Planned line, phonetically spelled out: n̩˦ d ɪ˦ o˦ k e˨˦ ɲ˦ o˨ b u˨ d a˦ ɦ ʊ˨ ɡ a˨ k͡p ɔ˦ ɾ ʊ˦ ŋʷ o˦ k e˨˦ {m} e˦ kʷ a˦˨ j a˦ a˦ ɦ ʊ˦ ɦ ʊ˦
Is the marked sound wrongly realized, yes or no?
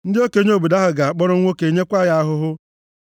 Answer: yes